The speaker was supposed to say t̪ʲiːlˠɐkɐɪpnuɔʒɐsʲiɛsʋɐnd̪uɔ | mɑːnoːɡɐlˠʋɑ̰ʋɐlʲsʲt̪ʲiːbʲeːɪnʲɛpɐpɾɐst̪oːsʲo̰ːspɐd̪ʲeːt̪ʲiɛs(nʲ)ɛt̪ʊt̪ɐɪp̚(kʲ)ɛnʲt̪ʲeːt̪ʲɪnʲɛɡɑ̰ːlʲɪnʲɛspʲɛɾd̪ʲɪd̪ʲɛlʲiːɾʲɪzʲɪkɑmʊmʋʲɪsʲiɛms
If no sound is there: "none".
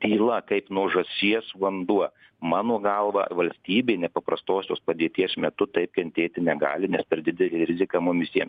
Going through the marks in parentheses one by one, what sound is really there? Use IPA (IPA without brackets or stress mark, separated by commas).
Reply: mʲ, kʲ